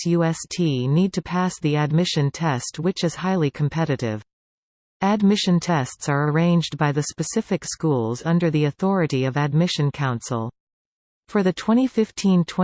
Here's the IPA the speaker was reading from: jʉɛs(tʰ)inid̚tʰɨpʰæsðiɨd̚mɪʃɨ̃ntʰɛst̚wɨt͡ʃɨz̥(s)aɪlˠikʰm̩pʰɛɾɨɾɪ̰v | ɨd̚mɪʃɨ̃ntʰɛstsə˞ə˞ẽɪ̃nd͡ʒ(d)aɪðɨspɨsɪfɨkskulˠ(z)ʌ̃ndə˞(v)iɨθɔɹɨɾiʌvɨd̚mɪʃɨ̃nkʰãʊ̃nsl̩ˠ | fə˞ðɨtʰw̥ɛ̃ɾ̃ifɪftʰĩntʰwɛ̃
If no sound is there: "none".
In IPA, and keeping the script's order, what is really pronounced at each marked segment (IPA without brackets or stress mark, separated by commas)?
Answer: tʰ, h, b, z, ð